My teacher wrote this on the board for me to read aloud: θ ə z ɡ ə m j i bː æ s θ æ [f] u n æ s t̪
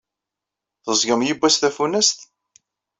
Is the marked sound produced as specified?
yes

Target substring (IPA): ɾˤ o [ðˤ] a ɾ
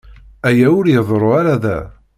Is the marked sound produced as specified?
no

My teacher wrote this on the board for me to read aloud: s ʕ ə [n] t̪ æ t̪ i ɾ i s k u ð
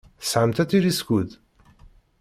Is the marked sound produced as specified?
no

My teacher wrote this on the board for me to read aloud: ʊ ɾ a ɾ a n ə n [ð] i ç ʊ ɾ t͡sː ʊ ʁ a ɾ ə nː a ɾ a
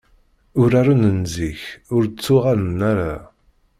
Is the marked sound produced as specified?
no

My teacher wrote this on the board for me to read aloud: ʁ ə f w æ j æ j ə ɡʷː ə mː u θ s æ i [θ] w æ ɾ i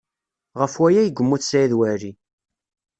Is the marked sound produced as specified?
no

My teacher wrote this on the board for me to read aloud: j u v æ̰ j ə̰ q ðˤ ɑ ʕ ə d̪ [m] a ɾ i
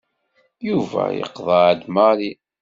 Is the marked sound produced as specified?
yes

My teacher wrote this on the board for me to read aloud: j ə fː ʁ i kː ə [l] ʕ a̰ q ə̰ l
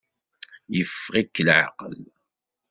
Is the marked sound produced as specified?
yes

